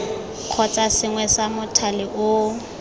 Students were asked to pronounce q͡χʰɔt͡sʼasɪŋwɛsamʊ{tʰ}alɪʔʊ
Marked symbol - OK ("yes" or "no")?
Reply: yes